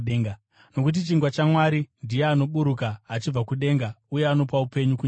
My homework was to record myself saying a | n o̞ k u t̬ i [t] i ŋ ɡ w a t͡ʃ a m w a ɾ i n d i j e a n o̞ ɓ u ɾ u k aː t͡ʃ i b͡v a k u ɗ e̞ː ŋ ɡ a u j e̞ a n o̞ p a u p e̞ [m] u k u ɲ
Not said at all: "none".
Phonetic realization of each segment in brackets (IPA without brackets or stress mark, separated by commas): t͡ʃ, ɲ